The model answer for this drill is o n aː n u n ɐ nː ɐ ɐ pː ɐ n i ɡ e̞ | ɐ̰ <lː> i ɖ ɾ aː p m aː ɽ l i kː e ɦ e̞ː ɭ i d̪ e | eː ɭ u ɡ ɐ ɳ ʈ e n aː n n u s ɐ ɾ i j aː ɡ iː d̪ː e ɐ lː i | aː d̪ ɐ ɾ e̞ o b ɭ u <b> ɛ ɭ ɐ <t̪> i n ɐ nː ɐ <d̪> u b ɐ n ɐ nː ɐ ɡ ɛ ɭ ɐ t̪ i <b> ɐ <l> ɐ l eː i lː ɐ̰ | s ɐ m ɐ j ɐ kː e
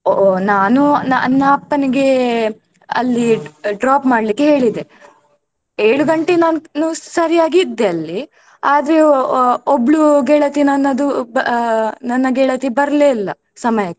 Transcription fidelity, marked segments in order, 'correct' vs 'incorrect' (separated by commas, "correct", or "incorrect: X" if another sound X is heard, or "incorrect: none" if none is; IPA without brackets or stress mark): correct, incorrect: ɡ, correct, correct, correct, incorrect: ɾ